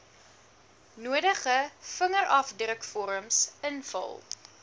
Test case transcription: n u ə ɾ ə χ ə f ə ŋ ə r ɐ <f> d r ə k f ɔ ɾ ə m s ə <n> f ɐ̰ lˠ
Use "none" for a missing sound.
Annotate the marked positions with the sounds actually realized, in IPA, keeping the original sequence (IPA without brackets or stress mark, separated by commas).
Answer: f, n